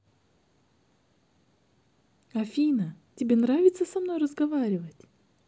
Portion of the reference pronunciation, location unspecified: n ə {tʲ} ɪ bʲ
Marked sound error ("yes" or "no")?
no